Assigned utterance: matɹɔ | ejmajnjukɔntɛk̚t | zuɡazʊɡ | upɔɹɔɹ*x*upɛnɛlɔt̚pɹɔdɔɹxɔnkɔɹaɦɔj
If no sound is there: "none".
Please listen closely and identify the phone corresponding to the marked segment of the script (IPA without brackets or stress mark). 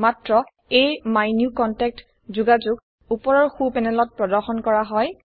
x